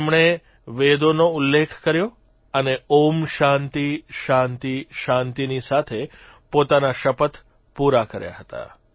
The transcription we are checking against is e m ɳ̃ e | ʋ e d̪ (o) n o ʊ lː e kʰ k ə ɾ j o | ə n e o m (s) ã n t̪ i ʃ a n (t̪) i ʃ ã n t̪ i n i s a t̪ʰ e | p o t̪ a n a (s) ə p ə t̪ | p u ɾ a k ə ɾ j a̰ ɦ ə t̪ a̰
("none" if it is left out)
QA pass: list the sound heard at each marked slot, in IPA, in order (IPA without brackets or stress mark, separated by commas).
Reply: o, ʃ, t̪, ʃ